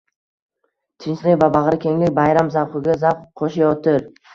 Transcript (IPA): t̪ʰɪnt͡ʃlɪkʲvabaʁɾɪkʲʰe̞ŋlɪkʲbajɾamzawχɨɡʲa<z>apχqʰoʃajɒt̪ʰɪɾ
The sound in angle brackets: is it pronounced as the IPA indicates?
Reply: yes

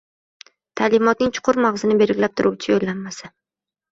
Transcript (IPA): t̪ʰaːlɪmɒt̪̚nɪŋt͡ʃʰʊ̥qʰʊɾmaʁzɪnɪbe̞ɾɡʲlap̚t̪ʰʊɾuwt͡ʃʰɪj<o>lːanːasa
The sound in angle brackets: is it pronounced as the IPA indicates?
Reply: yes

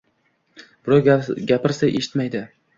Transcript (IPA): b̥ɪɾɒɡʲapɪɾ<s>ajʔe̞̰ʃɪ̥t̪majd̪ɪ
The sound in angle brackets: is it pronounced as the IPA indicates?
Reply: yes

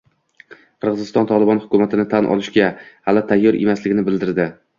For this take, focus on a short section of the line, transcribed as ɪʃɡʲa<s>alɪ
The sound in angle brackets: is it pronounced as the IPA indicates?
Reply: no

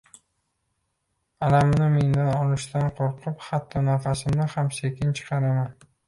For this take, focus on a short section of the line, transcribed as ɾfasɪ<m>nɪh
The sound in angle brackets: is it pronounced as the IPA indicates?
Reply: yes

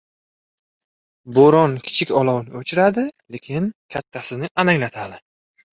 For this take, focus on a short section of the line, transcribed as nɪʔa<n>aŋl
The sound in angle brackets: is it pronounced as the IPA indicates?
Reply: yes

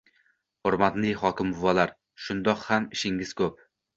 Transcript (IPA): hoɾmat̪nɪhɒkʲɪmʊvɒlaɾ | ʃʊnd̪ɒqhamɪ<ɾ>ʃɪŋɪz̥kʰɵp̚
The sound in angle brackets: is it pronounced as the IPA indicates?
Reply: no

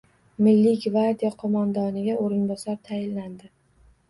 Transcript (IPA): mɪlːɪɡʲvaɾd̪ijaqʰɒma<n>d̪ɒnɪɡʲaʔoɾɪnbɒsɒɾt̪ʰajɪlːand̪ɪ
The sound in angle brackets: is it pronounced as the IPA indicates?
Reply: yes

